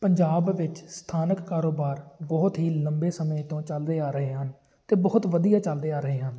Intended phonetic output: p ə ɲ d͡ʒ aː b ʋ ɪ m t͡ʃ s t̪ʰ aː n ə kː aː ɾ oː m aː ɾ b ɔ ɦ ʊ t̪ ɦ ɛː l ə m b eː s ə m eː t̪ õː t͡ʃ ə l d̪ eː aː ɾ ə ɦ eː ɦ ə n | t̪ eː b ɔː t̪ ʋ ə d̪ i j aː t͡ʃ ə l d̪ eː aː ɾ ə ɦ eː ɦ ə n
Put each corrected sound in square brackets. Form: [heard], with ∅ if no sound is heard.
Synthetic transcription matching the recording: p ə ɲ d͡ʒ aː b ʋ ɪ [∅] t͡ʃ s t̪ʰ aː n ə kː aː ɾ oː [b] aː ɾ b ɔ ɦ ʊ t̪ ɦ [iː] l ə m b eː s ə m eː t̪ õː t͡ʃ ə l d̪ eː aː ɾ ə ɦ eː ɦ ə n | t̪ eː b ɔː t̪ ʋ ə d̪ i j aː t͡ʃ ə l d̪ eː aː ɾ ə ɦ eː ɦ ə n